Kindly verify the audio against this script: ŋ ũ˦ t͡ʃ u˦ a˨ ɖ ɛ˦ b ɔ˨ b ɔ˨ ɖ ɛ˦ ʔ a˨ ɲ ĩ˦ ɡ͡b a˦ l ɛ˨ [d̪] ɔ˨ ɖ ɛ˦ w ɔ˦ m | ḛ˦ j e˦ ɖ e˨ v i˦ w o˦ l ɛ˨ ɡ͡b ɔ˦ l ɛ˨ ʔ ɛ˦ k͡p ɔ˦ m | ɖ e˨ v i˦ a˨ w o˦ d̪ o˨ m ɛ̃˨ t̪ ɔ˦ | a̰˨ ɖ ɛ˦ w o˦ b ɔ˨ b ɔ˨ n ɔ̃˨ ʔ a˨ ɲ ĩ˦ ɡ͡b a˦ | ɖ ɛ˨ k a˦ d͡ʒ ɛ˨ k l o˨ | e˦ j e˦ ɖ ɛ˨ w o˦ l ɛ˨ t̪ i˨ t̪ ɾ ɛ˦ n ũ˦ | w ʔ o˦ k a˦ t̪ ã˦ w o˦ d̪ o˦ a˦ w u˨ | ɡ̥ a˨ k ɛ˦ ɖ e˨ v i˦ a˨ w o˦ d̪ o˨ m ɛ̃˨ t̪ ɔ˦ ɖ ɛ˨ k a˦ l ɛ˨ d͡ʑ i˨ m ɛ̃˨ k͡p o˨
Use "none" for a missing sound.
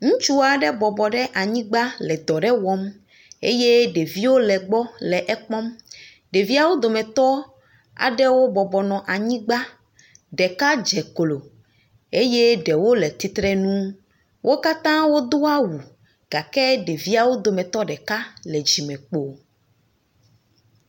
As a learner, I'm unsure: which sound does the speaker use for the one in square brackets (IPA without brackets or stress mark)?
d̪